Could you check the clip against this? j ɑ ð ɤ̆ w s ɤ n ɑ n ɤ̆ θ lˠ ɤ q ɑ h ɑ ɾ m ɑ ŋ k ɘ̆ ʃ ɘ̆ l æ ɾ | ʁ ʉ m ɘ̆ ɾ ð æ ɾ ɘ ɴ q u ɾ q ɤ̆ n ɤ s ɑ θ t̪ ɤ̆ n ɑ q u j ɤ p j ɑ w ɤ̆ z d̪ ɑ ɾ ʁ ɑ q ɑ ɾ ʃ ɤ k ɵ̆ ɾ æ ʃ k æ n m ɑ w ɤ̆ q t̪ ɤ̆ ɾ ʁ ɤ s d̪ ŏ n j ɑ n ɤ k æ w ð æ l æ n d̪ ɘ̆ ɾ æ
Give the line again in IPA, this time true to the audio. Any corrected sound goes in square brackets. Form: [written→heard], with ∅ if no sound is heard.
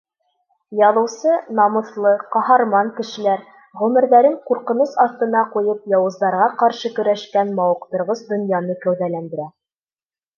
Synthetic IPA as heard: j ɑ ð ɤ̆ w s ɤ n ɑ [n→m] ɤ̆ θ lˠ ɤ q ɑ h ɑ ɾ m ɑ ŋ k ɘ̆ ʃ ɘ̆ l æ ɾ | ʁ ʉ m ɘ̆ ɾ ð æ ɾ ɘ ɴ q u ɾ q ɤ̆ n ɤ s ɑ θ t̪ ɤ̆ n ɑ q u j ɤ p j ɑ w ɤ̆ z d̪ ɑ ɾ ʁ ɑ q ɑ ɾ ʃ ɤ k ɵ̆ ɾ æ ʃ k æ n m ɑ w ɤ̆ q t̪ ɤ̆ ɾ ʁ ɤ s d̪ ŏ n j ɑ n ɤ k æ w ð æ l æ n d̪ ɘ̆ ɾ æ